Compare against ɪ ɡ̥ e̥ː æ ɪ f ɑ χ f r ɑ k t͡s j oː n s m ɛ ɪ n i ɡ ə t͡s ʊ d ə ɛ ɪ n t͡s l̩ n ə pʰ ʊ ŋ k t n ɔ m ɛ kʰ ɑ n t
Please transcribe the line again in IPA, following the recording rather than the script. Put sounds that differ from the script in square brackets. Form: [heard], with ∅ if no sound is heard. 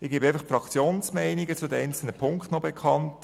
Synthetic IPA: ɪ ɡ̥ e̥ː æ ɪ f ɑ χ f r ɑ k t͡s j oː n s m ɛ ɪ n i ɡ ə t͡s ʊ d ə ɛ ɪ n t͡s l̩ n ə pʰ ʊ ŋ k t n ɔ [b] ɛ kʰ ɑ n t